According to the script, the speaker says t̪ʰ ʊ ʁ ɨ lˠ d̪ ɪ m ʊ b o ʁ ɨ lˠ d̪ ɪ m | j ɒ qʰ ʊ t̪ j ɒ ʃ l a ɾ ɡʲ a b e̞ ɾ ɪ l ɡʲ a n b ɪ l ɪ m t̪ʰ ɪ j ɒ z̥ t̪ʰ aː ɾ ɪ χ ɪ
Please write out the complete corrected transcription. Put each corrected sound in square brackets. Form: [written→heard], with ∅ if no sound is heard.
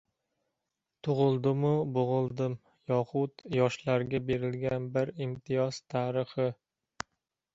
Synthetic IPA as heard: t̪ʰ ʊ ʁ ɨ lˠ d̪ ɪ m ʊ b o ʁ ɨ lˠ d̪ ɪ m | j ɒ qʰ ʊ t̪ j ɒ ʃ l a ɾ ɡʲ a b e̞ ɾ ɪ l ɡʲ a n b ɪ [l→ɾ] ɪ m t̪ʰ ɪ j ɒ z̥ t̪ʰ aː ɾ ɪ χ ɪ

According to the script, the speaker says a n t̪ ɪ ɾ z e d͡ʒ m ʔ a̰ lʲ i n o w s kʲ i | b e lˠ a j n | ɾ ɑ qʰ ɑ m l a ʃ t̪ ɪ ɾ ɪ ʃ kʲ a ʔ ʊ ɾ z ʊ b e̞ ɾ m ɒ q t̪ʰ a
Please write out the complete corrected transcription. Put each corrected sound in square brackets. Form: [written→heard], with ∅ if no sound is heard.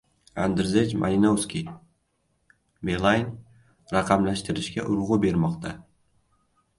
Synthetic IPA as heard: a n [t̪→d̪] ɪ ɾ z e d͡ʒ m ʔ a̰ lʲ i n o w s kʲ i | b e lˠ a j n | ɾ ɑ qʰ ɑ m l a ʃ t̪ ɪ ɾ ɪ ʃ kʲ a ʔ ʊ ɾ [z→ʁ] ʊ b e̞ ɾ m ɒ q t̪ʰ a

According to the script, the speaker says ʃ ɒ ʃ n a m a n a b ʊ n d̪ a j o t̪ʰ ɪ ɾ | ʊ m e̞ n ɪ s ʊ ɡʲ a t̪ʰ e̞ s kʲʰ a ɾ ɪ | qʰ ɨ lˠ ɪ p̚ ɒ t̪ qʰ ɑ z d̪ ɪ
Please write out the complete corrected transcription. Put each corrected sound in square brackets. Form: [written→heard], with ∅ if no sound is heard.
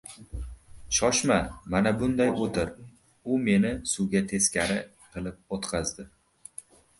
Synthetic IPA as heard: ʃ ɒ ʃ [n→m] a m a n a b ʊ n d̪ a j o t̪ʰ ɪ ɾ | ʊ m e̞ n ɪ s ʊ ɡʲ a t̪ʰ e̞ s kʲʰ a ɾ ɪ | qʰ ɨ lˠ ɪ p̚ [ɒ→o] t̪ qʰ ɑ z d̪ ɪ

